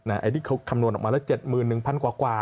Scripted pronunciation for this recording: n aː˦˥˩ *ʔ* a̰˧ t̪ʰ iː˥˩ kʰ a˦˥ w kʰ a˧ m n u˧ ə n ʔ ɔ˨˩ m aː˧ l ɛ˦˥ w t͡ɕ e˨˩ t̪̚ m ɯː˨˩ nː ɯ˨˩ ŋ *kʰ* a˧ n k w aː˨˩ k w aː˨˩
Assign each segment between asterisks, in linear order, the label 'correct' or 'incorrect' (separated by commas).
correct, incorrect